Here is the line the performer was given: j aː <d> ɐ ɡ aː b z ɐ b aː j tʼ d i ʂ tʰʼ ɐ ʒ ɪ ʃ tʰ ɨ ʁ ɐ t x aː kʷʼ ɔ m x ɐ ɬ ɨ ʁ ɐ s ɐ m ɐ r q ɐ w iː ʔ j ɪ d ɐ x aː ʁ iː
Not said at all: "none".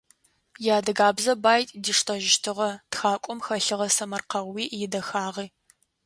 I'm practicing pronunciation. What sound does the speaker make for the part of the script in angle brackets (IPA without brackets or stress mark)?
d